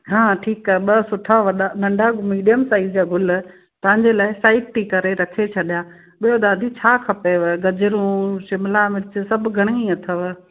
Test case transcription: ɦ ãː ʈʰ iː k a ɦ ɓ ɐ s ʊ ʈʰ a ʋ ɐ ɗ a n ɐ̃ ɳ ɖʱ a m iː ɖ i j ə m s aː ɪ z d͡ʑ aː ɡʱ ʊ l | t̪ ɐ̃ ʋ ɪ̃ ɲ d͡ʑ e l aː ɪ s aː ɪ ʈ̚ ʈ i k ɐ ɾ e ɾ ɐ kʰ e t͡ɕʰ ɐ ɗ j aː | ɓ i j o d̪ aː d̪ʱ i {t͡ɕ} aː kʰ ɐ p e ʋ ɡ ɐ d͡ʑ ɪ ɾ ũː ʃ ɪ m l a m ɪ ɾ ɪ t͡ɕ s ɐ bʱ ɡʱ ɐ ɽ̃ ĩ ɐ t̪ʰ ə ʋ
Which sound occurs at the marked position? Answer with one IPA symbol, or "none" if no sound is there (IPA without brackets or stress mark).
t͡ɕʰ